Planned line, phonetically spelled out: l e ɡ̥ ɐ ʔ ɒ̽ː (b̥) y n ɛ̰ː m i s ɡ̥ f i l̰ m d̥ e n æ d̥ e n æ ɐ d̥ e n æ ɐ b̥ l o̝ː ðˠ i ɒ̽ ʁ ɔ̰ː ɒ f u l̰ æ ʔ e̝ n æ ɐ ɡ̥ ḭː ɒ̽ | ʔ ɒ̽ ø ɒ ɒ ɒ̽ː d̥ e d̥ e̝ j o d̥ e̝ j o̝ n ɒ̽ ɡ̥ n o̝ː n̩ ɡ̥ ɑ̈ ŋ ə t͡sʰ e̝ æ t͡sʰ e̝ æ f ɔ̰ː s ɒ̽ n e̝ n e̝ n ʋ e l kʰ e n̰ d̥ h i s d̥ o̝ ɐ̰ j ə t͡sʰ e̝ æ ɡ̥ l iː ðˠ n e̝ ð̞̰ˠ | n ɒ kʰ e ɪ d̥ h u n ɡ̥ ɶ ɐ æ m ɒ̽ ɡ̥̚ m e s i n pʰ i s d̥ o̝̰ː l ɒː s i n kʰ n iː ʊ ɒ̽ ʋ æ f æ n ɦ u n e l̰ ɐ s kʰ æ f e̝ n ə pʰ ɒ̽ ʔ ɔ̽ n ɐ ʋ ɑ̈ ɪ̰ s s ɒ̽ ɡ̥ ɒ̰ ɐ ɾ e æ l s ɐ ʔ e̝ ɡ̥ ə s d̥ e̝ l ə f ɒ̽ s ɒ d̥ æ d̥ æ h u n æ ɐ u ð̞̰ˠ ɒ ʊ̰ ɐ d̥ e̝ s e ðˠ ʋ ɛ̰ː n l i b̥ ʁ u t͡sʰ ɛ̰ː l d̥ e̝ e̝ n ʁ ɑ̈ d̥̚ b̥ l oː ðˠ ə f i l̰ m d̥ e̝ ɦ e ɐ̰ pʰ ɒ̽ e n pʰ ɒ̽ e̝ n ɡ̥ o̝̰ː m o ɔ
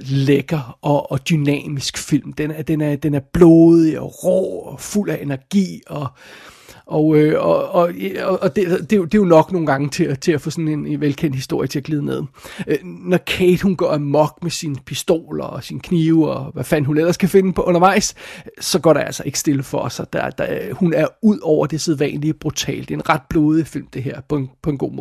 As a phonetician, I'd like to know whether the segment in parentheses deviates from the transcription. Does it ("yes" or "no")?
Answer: yes